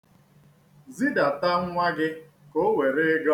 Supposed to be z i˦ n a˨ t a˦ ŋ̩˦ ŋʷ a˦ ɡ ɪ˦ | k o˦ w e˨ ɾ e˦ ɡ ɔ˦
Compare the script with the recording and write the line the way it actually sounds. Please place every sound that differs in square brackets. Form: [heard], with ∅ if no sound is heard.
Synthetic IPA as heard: z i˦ [d] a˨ t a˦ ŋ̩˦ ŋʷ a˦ ɡ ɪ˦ | k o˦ w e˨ ɾ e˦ ɡ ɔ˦